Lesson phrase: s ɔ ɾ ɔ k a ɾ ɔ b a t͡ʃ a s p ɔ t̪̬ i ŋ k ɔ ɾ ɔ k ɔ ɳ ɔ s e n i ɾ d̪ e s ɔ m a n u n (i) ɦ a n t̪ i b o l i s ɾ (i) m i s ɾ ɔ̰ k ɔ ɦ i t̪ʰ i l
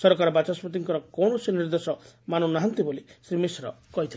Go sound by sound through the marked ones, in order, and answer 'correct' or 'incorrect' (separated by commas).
incorrect, correct